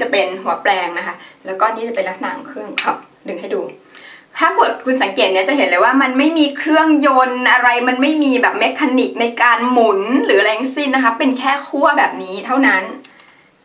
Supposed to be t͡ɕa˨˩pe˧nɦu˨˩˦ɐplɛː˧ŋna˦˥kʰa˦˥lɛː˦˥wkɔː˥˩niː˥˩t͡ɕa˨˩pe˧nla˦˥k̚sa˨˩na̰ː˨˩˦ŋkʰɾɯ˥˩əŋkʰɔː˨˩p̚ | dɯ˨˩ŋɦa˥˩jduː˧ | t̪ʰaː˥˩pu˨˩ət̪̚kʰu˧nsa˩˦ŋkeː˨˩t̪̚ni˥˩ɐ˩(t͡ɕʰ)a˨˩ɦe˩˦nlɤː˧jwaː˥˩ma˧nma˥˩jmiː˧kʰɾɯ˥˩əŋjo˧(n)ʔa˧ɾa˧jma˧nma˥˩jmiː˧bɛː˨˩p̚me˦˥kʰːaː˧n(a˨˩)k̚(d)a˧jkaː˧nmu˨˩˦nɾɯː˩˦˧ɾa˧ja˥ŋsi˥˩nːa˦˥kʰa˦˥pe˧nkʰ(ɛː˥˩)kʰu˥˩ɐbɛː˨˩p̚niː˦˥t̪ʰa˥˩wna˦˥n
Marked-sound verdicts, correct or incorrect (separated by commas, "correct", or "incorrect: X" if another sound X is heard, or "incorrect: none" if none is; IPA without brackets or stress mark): incorrect: t͡ɕ, correct, incorrect: i˨˩, incorrect: n, correct